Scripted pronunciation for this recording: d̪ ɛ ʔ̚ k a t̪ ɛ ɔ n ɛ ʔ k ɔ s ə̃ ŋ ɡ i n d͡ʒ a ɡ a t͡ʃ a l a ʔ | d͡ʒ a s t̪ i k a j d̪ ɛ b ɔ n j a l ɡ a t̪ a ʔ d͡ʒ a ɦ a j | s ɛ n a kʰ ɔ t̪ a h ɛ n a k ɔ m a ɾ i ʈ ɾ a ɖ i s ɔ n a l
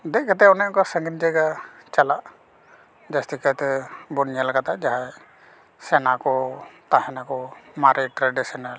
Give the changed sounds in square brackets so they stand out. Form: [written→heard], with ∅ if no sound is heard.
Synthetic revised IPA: d̪ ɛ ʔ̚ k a t̪ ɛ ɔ n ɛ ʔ k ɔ s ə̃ ŋ ɡ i n d͡ʒ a ɡ a t͡ʃ a l a ʔ | d͡ʒ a s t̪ i k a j [d̪→t̪] ɛ b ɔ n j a l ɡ a t̪ a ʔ d͡ʒ a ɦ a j | s ɛ n a [kʰ→k] ɔ t̪ a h ɛ n a k ɔ m a ɾ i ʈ ɾ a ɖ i s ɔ n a l